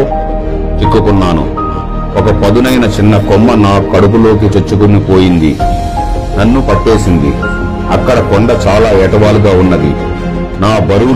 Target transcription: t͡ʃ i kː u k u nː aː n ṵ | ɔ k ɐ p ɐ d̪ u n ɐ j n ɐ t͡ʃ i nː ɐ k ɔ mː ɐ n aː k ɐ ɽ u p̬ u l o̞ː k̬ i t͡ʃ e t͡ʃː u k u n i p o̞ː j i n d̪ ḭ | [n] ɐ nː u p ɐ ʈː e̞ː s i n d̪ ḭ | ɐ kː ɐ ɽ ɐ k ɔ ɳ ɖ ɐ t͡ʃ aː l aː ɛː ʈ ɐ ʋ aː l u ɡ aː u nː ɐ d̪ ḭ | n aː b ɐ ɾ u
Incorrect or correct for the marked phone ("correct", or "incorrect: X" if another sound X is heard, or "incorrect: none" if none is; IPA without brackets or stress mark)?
correct